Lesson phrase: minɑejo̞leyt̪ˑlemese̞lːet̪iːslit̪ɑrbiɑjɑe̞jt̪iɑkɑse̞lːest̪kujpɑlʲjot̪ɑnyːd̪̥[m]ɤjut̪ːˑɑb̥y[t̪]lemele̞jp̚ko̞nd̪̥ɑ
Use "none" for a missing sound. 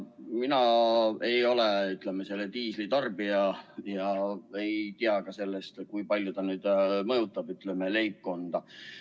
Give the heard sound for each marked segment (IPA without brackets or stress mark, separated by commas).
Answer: m, t̪